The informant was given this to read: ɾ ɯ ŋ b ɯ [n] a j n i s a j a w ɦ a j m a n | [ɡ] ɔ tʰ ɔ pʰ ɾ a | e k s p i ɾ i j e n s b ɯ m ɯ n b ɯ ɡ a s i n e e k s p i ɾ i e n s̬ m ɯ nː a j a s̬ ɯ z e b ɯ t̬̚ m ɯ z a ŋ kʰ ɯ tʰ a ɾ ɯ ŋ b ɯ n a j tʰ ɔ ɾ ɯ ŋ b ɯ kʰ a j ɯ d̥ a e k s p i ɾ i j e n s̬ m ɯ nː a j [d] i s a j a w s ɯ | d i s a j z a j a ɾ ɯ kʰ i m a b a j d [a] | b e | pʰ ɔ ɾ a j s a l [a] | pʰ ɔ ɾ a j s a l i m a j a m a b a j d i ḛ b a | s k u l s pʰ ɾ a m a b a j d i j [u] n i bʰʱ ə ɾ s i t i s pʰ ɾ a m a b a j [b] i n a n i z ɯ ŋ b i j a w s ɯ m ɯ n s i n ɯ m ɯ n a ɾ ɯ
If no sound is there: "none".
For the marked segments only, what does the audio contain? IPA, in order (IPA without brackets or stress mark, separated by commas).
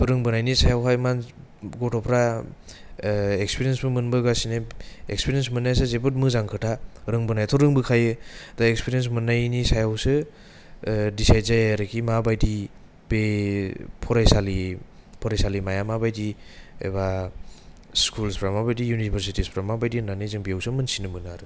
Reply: n, ɡ, n, i, i, u, d